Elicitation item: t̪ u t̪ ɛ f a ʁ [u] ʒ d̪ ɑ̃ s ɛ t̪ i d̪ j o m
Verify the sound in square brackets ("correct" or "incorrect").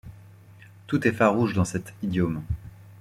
correct